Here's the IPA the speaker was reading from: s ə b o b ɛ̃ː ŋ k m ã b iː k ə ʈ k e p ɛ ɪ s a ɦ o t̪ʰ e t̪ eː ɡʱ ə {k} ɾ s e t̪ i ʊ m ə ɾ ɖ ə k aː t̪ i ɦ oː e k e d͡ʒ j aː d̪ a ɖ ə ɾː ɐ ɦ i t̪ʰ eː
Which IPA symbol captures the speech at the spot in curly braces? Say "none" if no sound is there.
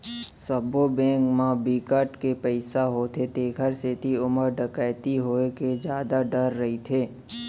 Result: none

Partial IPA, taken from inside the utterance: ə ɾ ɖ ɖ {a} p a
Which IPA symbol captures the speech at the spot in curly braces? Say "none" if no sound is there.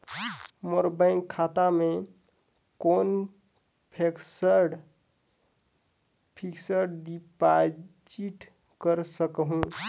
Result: i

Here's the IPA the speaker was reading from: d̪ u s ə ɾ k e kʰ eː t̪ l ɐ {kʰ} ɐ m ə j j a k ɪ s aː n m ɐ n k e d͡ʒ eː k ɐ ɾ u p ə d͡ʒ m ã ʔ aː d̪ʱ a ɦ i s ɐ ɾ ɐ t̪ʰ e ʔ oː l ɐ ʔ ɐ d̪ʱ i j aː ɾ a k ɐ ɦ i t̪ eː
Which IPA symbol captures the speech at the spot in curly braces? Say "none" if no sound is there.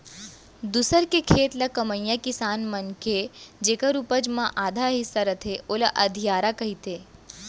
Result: k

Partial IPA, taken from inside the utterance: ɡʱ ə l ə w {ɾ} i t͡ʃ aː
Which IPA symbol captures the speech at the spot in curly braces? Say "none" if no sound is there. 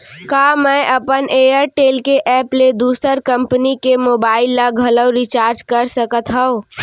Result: ɾ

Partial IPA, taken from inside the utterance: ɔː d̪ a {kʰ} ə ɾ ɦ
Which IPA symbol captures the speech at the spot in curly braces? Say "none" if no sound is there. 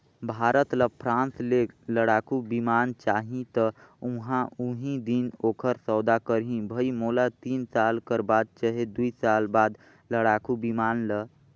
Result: k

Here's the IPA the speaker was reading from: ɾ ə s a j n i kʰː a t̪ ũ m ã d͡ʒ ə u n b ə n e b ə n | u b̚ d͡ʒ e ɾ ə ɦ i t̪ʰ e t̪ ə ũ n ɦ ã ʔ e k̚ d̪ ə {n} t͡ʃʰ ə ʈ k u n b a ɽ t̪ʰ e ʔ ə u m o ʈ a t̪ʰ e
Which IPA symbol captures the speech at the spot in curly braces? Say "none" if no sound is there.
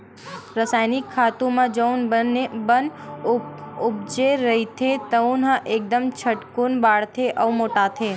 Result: m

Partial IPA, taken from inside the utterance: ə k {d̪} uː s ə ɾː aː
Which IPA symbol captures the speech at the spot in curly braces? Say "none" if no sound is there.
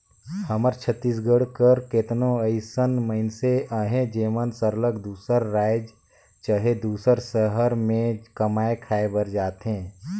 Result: d̪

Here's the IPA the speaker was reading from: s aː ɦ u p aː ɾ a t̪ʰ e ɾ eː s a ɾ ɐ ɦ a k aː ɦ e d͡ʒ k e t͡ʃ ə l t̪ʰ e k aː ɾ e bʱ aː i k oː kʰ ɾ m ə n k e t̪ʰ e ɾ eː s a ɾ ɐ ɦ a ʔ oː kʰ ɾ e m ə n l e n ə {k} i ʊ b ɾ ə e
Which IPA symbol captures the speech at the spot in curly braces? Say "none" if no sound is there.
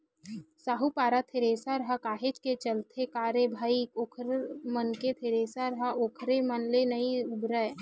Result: none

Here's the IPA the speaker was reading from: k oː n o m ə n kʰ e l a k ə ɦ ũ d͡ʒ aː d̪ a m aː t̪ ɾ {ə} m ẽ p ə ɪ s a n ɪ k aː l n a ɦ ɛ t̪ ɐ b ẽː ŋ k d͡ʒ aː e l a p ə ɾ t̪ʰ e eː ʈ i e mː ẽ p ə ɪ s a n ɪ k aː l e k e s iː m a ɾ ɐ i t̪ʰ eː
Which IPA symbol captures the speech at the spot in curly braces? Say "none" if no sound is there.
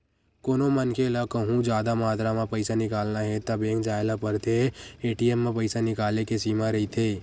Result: a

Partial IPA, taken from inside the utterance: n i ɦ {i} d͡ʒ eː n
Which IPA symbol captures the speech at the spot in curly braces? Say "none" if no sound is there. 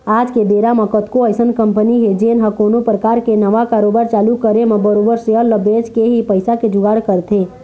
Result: e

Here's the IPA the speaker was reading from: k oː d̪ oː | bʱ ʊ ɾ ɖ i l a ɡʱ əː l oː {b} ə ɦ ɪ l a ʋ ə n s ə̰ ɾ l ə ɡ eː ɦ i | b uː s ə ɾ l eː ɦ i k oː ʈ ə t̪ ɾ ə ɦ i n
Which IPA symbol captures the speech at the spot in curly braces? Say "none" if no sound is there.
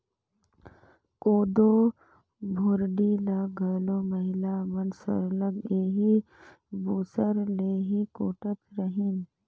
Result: m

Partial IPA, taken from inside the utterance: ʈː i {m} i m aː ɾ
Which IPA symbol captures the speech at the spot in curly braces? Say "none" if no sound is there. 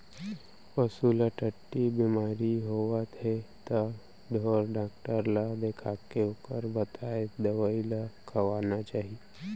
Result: b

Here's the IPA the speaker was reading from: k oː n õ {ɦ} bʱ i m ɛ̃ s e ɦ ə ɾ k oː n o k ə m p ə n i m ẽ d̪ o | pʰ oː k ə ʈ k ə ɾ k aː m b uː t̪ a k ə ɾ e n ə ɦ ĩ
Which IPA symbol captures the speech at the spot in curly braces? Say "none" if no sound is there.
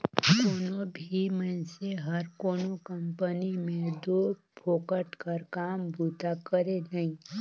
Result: none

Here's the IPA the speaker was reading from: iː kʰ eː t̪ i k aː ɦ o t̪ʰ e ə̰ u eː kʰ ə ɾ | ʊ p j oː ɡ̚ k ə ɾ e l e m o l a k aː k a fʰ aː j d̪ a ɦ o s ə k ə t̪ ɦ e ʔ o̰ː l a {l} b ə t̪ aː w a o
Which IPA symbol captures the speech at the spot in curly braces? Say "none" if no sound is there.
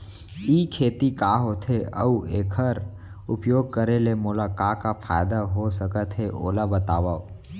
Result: none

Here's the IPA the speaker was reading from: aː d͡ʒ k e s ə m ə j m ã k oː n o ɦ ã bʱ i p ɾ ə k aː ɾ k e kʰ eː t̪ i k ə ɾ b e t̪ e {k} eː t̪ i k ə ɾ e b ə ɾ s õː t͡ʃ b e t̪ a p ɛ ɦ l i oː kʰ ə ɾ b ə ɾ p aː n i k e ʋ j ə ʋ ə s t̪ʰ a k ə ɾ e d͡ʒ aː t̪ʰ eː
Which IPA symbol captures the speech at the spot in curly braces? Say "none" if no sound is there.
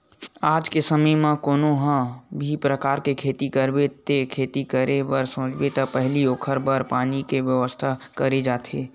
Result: kʰ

